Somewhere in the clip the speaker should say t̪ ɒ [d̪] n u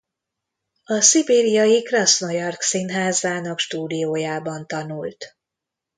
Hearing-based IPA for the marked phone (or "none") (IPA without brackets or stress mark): none